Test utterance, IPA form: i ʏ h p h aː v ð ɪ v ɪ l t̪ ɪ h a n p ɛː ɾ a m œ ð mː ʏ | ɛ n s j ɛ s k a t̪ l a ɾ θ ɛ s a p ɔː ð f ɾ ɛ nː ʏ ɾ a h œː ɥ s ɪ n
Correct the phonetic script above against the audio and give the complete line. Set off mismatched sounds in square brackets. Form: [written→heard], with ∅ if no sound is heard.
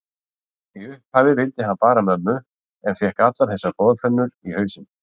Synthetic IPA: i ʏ h p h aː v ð ɪ v ɪ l t̪ ɪ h a n p [ɛː→aː] ɾ a m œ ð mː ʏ | ɛ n [s→f] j ɛ [s→h] k a t̪ l a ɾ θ ɛ s a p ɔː ð f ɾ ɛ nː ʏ ɾ [a→i] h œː ɥ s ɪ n